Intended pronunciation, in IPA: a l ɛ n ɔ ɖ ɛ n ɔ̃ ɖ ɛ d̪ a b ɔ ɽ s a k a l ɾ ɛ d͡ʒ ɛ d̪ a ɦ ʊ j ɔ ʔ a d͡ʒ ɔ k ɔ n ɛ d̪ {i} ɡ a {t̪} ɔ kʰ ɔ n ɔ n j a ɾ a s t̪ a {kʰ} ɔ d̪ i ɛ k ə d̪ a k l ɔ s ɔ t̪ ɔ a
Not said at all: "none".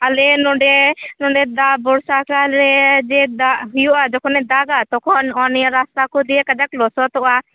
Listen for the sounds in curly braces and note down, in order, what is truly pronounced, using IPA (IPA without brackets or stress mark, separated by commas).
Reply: a, t̪, k